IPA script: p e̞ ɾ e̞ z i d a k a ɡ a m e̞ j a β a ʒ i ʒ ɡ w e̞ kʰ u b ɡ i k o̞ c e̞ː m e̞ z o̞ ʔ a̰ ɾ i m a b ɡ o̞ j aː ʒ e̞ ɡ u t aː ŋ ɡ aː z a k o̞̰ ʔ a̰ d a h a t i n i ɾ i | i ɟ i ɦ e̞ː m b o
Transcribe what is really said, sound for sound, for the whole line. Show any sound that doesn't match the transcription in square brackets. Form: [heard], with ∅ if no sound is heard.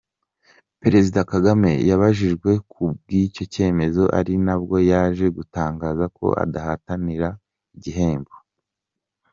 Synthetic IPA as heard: p e̞ ɾ e̞ z i d a k a ɡ a m e̞ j a β a ʒ i ʒ ɡ w e̞ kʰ u b ɡ i [c] o̞ c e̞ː m e̞ z o̞ ʔ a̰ ɾ i [n] a b ɡ o̞ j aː ʒ e̞ ɡ u t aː ŋ ɡ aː z a k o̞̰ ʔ a̰ d a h a t [a] n i ɾ [a] | i ɟ i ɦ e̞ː m b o